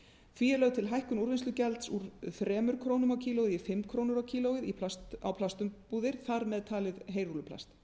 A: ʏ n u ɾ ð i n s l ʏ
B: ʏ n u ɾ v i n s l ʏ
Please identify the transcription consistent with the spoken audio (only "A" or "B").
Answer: B